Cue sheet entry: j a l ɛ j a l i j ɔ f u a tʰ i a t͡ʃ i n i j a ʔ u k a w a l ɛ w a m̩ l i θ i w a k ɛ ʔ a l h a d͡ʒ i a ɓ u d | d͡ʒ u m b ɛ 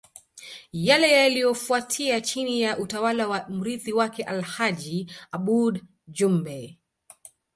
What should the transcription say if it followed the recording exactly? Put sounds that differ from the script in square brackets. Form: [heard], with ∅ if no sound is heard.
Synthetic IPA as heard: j a l ɛ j a l i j ɔ f u a tʰ i a t͡ʃ i n i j a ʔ u [t] a w a l [a] w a m̩ [ɾ] i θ i w a k ɛ ʔ a l h a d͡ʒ i a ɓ u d | d͡ʒ u m b ɛ